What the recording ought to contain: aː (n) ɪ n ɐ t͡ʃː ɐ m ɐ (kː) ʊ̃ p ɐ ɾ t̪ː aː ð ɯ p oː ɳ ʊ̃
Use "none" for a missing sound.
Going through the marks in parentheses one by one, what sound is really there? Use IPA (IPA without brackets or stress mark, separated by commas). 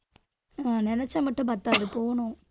n, ʈː